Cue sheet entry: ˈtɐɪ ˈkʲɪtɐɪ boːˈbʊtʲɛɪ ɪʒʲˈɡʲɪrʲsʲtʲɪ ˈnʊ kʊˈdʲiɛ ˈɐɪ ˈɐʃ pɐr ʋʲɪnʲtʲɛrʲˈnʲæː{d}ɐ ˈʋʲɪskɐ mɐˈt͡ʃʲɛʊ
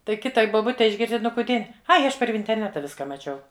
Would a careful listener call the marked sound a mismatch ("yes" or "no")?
yes